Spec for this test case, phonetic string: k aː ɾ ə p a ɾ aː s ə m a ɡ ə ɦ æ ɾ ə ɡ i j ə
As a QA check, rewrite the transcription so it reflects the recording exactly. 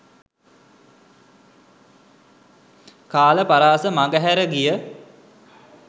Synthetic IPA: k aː l ə p a ɾ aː s ə m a ɡ ə ɦ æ ɾ ə ɡ i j ə

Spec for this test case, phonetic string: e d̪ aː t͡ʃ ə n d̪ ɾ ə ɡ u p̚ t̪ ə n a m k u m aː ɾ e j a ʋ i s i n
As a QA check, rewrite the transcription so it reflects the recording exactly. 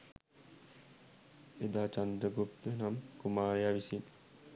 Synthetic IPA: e d̪ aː t͡ʃ a n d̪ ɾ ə ɡ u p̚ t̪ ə n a m k u m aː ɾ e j a ʋ i s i n

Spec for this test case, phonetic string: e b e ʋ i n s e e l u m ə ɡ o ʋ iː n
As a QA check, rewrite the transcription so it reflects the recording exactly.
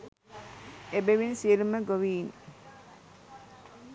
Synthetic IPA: e b e ʋ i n s i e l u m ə ɡ o ʋ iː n

